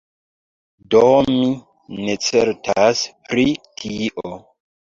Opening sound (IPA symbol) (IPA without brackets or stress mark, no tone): d